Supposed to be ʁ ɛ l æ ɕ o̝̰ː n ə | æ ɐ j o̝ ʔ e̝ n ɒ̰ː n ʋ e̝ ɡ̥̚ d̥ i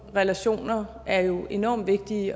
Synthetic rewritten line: ʁ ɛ l æ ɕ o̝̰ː n ɐ | æ ɐ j o̝ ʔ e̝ n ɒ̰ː m ʋ e̝ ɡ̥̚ d̥ i